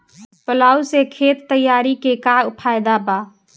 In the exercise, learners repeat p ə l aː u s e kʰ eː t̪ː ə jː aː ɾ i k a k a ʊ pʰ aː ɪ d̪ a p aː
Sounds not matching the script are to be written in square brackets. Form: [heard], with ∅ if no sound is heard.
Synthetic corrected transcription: p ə l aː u s e kʰ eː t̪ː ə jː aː ɾ i k [e] k a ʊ pʰ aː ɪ d̪ a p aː